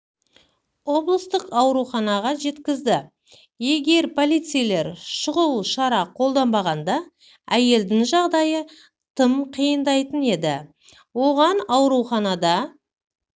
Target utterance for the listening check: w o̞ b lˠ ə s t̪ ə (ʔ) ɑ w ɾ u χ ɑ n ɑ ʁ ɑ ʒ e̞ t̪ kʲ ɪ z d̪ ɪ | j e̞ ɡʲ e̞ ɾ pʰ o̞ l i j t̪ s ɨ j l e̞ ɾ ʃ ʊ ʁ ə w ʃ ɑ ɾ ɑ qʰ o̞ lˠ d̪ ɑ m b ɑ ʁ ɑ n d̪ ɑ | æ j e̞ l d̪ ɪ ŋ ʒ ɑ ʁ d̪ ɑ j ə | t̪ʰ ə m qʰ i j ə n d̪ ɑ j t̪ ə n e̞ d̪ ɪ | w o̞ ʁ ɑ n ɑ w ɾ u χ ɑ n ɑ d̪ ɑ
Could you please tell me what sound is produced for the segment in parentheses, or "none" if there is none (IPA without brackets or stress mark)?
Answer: q